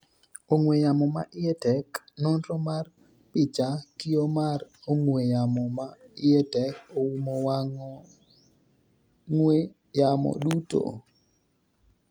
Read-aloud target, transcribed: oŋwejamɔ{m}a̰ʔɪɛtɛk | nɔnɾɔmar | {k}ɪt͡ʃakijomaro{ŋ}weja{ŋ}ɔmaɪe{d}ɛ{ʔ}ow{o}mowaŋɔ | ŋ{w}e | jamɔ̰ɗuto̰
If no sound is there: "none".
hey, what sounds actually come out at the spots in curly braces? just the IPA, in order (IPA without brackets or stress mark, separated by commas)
m, p, ŋ, m, t, k, u, w